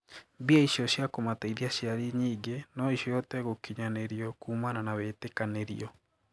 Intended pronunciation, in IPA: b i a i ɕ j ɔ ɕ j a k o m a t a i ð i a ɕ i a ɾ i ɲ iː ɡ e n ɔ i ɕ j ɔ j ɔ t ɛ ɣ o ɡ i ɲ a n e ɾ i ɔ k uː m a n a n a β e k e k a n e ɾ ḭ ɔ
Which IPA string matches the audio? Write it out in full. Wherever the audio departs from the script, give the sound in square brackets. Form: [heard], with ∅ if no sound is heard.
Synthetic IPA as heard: b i a i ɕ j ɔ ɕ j a k o m a t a i ð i a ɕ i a ɾ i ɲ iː ɡ e n ɔ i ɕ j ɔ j ɔ t ɛ ɣ o [k] i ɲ a n e ɾ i ɔ k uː m a n a n a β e [t] e k a n e ɾ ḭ ɔ